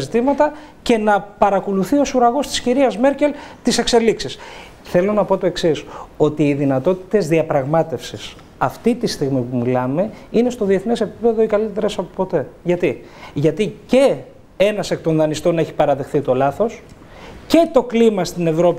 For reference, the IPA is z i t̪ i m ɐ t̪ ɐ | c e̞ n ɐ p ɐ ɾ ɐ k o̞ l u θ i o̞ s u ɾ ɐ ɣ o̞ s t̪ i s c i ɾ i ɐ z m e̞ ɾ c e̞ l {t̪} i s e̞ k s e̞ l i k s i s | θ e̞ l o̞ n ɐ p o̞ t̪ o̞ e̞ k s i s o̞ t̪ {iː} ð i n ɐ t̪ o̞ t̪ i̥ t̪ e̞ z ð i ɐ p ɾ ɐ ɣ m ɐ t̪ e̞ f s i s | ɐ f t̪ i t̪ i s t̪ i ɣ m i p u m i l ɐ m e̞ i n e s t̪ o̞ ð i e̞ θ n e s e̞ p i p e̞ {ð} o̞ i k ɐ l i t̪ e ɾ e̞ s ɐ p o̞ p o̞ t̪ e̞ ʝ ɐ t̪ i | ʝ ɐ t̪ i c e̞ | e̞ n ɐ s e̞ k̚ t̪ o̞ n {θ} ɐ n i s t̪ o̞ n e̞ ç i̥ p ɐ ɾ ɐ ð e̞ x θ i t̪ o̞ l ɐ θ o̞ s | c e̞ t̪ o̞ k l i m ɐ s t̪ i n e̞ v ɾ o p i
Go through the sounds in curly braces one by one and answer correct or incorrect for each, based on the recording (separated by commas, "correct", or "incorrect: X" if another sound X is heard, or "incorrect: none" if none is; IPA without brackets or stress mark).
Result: correct, correct, correct, incorrect: ð